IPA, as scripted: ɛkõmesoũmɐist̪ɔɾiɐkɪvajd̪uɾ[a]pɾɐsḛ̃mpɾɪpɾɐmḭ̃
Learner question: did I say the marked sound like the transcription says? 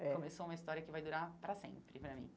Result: yes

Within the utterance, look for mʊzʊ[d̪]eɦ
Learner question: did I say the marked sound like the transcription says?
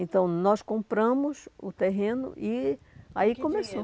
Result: no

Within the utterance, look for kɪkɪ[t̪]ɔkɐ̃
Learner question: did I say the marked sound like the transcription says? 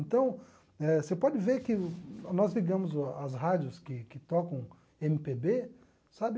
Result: yes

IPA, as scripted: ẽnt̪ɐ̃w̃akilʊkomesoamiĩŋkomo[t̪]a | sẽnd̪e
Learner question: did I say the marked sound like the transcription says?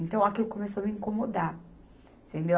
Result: no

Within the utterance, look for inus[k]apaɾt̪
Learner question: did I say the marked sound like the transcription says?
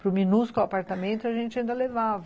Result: yes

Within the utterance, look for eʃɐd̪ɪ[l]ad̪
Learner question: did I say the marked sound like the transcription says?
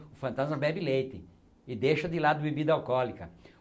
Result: yes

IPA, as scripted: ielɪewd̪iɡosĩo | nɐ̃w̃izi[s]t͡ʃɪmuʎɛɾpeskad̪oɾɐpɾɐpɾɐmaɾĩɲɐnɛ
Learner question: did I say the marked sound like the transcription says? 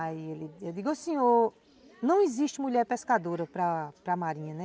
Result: no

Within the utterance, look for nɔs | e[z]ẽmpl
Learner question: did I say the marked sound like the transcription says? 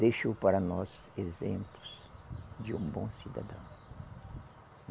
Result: yes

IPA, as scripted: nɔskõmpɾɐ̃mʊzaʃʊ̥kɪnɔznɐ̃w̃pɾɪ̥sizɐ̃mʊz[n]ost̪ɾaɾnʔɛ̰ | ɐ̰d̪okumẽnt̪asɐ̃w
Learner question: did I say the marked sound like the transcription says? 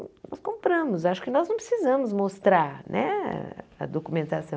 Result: no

